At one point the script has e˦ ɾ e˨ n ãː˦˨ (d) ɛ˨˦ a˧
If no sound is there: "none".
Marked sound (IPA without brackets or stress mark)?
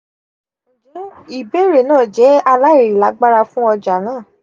d͡ʒ